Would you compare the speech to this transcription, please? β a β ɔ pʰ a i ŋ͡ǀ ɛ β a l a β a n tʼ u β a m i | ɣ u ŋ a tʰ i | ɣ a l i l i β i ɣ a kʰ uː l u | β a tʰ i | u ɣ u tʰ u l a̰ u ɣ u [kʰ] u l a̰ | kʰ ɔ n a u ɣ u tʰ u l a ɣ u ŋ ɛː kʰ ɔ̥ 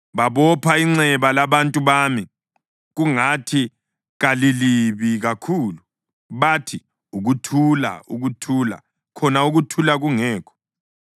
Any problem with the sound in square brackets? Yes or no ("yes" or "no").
yes